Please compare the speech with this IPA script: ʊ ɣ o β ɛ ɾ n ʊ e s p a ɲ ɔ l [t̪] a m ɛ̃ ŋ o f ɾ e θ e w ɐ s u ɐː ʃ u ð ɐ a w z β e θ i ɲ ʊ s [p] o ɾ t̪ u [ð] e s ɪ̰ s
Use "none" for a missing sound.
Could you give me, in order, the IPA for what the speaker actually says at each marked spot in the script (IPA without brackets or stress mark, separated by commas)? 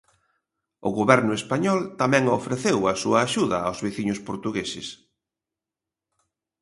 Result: t̪, p, ɣ